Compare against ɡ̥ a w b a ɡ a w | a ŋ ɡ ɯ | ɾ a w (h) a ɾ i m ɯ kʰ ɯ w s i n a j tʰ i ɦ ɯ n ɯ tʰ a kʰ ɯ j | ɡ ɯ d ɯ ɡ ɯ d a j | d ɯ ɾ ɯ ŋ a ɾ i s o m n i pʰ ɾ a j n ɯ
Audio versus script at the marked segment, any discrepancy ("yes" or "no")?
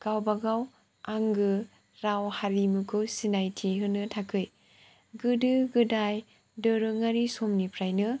no